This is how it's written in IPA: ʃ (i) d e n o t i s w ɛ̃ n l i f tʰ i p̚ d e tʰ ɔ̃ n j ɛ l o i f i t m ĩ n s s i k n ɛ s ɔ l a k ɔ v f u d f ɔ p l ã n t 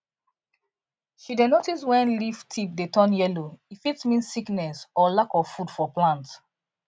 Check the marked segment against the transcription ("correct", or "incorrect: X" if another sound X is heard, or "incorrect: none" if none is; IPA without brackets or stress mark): correct